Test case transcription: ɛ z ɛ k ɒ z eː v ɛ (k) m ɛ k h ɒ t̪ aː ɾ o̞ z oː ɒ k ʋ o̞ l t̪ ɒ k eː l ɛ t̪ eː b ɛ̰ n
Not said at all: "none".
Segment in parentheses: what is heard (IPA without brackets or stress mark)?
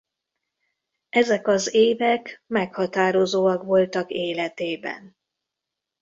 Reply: k